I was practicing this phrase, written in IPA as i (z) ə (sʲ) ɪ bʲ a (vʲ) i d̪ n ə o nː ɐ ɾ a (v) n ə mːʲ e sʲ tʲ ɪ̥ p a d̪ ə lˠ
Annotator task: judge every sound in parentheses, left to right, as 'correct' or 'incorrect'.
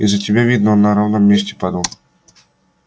correct, incorrect: tʲ, correct, correct

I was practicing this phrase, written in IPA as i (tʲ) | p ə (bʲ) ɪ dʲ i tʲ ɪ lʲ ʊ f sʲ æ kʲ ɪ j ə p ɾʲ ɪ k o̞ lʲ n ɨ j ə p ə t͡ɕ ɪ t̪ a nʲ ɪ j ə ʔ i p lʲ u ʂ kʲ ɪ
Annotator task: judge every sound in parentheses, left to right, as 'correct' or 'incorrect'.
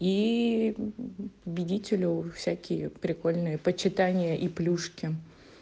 incorrect: none, correct

